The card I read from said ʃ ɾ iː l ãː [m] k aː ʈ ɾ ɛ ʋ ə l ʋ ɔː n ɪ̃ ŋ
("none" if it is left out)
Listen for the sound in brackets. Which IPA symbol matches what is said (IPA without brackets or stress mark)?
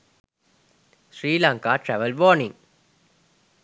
ŋ